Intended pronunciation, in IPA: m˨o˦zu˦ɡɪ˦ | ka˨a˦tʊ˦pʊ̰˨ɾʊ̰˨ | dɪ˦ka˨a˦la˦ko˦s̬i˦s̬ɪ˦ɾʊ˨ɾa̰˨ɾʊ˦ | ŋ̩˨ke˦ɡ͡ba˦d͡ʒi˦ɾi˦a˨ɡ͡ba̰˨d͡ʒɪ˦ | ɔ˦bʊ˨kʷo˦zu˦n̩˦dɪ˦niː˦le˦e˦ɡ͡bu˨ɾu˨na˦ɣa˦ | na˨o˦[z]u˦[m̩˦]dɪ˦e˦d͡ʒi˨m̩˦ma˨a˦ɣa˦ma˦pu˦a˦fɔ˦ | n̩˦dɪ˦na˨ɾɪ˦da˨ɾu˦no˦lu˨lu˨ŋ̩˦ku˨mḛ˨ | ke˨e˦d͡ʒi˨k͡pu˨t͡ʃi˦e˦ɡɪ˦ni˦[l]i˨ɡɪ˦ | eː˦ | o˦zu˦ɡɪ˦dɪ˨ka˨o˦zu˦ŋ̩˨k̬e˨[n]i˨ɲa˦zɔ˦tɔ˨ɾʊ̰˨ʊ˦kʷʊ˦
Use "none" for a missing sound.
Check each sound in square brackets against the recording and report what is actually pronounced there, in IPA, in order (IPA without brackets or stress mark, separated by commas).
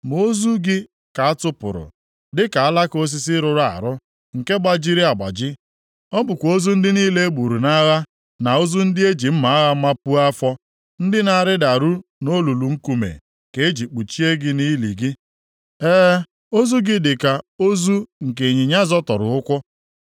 z, n̩˦, l, ɲ